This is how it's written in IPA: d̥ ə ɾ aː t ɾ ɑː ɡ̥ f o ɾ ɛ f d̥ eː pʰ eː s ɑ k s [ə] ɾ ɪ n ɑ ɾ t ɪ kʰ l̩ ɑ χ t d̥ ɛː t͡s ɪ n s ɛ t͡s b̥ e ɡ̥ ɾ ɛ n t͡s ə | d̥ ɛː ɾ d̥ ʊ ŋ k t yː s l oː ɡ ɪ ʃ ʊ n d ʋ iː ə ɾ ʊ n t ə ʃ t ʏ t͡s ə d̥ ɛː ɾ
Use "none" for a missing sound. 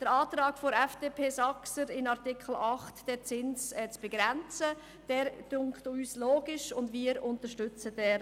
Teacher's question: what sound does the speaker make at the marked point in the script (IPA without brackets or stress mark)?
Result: ə